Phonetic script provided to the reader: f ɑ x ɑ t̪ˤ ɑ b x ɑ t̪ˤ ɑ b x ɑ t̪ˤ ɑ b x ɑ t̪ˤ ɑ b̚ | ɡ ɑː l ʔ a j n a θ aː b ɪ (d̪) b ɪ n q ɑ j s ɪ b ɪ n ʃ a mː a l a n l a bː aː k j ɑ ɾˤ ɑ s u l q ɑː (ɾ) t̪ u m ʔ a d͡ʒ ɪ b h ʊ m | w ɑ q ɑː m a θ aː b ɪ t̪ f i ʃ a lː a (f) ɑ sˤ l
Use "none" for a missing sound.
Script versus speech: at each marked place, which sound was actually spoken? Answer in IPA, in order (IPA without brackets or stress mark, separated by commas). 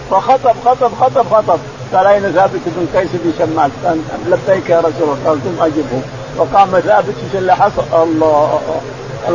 t̪, l, ħ